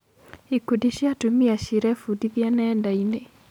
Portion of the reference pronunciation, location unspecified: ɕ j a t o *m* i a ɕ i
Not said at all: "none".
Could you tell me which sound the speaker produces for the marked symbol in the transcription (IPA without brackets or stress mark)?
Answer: m